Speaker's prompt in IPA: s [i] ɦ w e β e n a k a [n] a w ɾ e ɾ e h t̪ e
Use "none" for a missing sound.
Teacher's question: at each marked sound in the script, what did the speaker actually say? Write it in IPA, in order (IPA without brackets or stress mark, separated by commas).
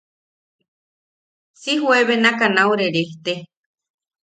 i, n